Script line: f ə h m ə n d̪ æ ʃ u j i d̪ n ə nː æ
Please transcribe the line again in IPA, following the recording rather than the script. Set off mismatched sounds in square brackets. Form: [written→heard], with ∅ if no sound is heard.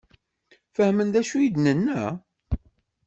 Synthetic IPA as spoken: f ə h m ə n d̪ æ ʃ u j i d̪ n ə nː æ